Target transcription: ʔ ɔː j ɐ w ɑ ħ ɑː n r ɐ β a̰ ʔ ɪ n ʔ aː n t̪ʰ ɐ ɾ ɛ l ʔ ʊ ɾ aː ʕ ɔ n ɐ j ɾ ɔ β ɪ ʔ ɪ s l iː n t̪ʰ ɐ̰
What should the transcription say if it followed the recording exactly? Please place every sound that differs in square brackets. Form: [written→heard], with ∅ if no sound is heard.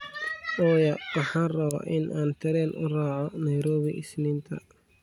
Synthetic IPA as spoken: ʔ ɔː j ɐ w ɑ ħ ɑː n r ɐ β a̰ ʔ ɪ n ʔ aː n t̪ʰ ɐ ɾ ɛ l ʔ ʊ [ɾ→r] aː ʕ ɔ n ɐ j ɾ [ɔ→ɔː] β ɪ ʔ ɪ s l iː n t̪ʰ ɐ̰